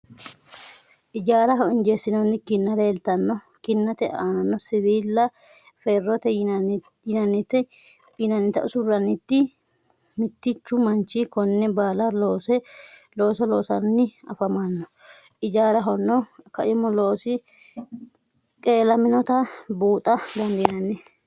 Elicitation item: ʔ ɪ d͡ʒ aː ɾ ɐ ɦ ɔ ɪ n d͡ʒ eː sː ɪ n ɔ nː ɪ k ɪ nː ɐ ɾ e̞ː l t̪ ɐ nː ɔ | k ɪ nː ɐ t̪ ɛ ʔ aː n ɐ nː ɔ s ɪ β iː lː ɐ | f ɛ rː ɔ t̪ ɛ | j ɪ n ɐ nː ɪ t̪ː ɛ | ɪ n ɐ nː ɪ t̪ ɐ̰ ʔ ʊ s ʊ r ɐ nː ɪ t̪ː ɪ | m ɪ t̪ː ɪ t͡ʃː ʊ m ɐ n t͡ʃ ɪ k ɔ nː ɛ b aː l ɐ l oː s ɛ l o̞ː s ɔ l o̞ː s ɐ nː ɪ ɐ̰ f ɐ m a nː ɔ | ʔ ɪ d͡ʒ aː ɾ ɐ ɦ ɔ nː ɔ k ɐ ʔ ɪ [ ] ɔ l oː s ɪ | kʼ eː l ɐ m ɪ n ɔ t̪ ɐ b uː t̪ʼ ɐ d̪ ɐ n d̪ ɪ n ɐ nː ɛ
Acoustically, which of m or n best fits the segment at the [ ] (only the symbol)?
m